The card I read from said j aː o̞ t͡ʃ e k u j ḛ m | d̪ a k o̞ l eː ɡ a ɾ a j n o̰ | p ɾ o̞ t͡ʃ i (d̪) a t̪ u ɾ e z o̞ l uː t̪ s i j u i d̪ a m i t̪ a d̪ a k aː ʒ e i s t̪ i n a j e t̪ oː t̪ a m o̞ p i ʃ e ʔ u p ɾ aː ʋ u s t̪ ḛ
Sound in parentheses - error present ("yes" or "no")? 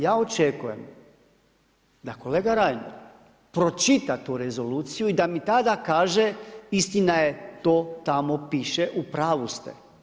yes